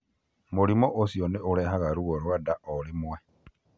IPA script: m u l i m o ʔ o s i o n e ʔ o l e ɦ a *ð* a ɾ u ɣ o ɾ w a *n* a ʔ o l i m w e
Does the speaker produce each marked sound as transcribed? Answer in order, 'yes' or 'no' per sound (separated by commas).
no, no